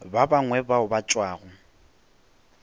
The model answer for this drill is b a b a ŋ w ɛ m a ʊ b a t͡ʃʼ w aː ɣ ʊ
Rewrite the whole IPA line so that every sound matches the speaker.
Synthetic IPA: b a b a ŋ w ɛ b a ʊ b a t͡ʃʼ w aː ɣ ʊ

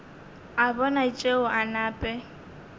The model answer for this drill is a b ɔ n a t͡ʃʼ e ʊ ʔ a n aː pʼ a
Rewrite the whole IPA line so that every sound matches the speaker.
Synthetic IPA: a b ɔ n a t͡ʃʼ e ʊ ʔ a n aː pʼ ɛ

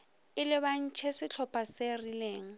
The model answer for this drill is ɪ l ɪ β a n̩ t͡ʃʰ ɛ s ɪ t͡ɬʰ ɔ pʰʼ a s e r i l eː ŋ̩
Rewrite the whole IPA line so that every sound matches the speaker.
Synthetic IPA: ɪ l ɪ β a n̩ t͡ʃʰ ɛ s ɪ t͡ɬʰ ɔ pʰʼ a s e r i l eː ŋ̩

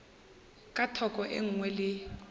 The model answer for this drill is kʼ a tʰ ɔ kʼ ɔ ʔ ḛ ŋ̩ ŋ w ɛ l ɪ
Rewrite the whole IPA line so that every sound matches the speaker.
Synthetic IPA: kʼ a tʰ ɔ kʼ ɔ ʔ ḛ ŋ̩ ŋ w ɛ l ɪ

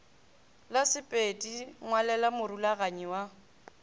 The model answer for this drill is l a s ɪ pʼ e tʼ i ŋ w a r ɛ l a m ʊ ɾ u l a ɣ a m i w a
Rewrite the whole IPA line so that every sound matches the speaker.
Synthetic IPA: l a s ɪ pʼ e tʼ i ŋ w a l ɛ l a m ʊ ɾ u l a ɣ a ɲ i w a

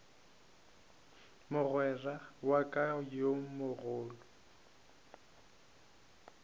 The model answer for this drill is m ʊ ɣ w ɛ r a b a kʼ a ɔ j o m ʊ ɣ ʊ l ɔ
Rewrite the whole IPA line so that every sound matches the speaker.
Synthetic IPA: m ʊ ɣ w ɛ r a w a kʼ a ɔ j o m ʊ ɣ ʊː l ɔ

